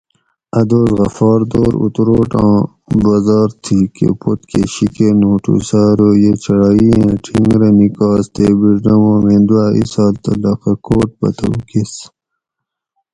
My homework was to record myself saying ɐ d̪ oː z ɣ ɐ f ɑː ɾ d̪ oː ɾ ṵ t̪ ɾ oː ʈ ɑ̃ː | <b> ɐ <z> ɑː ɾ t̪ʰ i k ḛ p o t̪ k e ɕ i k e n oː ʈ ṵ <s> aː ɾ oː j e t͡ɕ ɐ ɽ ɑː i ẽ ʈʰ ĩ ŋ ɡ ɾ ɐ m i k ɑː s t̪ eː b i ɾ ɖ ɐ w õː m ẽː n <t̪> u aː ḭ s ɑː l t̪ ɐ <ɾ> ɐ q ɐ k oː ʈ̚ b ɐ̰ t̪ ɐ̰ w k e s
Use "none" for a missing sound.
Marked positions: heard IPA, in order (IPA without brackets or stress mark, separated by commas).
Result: b, z, s, d̪, l